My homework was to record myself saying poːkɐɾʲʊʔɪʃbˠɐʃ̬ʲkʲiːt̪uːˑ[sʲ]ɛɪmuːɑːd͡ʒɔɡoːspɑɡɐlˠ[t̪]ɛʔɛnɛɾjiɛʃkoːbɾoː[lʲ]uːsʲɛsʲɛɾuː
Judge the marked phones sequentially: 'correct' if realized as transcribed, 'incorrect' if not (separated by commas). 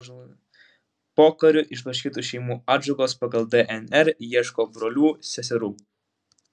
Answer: incorrect, incorrect, correct